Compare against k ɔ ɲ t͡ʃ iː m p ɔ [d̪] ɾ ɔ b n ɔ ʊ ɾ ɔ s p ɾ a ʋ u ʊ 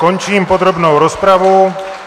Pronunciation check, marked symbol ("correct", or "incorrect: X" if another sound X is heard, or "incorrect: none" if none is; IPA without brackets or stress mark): correct